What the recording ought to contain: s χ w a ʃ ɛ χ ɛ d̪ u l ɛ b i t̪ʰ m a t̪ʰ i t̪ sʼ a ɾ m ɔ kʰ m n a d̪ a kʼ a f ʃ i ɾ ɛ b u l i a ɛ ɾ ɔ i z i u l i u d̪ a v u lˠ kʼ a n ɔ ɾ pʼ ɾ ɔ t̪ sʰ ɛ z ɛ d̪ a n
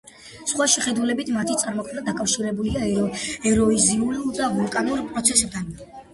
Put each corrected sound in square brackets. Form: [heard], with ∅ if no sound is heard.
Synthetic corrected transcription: s χ w a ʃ ɛ χ ɛ d̪ u l ɛ b i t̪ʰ m a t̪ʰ i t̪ sʼ a ɾ m ɔ kʰ m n a d̪ a kʼ a f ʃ i ɾ ɛ b u l i a ɛ ɾ ɔ i z i u l i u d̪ a v u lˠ kʼ a n [u] ɾ pʼ ɾ ɔ t̪ sʰ ɛ [s] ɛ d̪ a n